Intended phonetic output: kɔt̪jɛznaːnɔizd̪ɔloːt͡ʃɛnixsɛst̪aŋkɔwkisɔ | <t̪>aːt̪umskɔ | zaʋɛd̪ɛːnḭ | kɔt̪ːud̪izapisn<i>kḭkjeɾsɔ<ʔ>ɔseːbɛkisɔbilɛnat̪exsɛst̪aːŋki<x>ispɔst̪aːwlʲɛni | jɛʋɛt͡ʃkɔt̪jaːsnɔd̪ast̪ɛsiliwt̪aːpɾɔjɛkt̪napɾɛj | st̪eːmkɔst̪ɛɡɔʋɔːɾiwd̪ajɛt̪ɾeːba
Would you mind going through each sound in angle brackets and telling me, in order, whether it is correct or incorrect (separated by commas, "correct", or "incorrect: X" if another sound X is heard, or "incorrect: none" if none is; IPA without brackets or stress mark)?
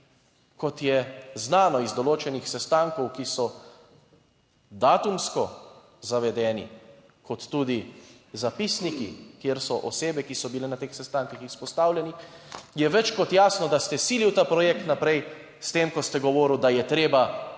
incorrect: d̪, correct, correct, correct